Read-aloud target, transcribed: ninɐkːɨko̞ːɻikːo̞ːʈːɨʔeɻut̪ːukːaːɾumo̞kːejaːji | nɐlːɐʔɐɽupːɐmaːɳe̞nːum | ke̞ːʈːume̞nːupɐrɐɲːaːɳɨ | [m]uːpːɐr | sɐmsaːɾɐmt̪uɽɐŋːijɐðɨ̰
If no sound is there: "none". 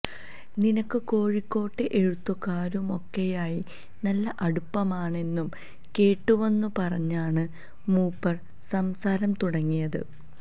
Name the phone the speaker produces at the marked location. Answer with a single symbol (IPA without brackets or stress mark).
m